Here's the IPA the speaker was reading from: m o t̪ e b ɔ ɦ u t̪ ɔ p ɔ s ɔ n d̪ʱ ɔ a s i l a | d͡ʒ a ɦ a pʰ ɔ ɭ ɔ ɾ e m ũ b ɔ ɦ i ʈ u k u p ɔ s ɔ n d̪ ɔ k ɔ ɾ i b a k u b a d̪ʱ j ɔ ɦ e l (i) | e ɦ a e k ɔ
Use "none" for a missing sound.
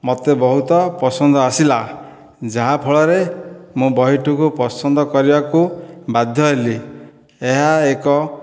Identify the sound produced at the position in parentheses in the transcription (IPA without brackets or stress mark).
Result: i